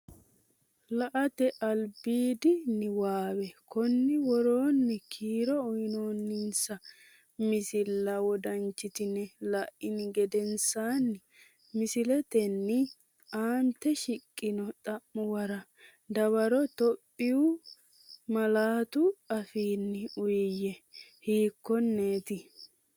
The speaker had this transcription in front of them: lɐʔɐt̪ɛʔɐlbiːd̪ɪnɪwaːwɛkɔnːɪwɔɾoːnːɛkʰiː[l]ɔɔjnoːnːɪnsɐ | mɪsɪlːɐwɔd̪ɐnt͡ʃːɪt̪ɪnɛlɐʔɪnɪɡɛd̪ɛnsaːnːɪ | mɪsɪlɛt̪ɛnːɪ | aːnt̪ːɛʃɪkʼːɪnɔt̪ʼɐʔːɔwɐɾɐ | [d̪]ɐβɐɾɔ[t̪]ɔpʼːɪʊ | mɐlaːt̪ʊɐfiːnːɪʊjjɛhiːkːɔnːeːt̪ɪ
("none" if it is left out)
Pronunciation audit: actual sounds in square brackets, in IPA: ɾ, d̪, t̪

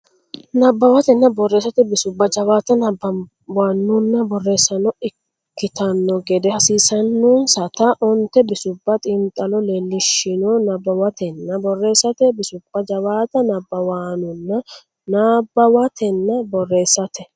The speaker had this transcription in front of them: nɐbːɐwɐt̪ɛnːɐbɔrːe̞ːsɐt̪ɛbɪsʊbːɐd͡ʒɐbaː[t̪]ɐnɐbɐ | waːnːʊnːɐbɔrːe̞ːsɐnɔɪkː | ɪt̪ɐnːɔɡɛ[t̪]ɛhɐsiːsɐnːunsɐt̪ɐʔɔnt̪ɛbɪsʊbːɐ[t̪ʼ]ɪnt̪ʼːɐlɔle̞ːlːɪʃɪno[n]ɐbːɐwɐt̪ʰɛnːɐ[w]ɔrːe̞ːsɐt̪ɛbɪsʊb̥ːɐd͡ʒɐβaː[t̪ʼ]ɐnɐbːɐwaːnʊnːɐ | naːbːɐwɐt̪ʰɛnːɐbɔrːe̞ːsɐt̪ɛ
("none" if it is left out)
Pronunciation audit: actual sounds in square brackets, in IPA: t̪, d̪, t̪ʼ, n, b, t̪

